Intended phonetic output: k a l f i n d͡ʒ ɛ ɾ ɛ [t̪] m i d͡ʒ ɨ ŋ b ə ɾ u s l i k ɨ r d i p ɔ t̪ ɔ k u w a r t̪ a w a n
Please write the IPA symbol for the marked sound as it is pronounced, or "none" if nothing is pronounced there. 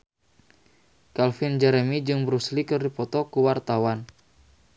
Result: none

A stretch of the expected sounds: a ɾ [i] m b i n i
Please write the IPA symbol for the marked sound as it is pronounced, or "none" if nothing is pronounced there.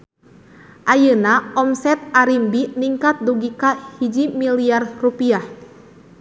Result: i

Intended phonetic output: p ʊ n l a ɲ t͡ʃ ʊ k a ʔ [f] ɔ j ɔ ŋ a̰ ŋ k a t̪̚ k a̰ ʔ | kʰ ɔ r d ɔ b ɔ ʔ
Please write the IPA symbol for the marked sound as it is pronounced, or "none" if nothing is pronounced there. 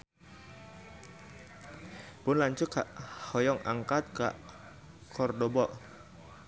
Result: h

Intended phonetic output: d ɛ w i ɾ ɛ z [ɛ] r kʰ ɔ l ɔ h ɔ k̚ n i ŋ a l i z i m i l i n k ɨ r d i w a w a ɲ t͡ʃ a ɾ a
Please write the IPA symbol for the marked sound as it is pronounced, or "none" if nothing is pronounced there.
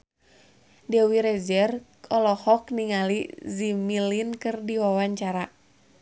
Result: ɛ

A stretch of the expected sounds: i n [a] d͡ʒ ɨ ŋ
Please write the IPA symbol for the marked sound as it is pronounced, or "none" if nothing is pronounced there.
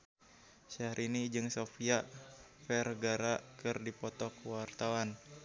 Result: i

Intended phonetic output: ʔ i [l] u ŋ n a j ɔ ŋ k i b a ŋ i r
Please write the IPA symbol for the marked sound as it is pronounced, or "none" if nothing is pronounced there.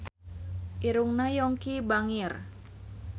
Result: ɾ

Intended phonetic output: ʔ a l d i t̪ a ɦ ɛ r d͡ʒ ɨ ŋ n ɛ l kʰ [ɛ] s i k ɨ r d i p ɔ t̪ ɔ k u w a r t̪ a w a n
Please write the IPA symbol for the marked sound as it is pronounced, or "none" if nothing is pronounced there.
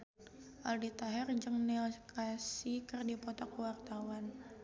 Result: a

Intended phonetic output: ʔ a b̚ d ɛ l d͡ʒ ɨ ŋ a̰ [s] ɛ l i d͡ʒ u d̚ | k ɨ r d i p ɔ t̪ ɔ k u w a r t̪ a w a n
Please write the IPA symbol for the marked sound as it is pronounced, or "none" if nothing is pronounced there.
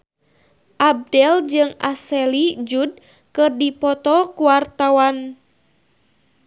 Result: s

